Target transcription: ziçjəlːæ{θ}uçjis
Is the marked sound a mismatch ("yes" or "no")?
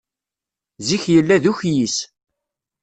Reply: yes